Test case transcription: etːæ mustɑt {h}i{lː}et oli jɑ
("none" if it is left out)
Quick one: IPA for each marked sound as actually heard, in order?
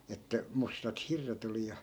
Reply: h, rː

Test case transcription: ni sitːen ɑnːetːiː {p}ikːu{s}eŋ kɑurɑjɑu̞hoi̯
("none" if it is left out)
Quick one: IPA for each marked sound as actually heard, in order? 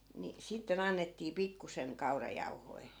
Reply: p, s

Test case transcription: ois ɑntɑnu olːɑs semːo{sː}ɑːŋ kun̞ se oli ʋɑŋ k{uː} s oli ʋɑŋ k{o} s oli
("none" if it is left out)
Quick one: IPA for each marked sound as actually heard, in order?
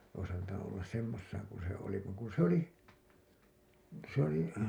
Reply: sː, u, u

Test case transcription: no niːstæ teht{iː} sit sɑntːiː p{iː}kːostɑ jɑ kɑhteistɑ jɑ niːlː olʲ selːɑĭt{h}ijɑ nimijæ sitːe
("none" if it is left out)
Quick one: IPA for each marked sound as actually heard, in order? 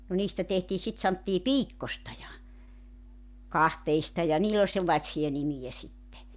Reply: iː, iː, s

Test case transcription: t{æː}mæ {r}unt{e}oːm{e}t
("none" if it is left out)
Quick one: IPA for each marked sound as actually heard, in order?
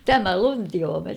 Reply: æ, l, i, e

